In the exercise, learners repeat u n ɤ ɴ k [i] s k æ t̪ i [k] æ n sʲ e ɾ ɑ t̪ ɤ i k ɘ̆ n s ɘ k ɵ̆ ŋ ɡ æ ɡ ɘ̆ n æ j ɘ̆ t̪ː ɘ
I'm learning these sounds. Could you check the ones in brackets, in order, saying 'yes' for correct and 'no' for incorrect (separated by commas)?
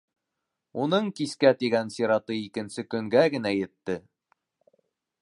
yes, no